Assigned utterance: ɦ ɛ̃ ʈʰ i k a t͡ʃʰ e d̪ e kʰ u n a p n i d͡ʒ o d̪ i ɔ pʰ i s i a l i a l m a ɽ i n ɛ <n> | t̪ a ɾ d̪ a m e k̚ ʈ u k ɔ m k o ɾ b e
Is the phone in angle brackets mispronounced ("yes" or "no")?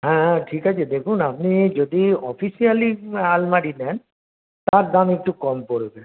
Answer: no